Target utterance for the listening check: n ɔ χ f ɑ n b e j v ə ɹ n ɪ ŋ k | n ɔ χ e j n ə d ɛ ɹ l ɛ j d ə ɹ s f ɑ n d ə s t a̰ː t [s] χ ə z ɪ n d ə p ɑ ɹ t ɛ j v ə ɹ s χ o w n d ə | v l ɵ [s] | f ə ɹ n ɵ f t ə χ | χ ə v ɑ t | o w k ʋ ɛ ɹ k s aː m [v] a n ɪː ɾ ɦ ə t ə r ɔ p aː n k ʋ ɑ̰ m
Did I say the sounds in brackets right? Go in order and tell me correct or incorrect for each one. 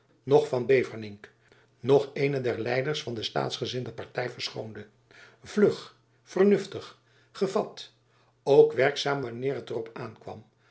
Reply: correct, incorrect, incorrect

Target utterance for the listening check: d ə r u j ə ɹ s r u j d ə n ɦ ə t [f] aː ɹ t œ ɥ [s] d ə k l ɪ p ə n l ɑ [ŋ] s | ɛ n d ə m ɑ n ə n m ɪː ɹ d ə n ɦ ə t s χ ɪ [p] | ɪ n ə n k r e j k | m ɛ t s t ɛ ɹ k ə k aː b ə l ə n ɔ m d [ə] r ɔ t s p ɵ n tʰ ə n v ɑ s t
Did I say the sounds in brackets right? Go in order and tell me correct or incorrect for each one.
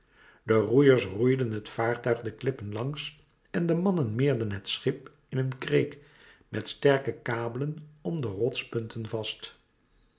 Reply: correct, incorrect, correct, correct, correct

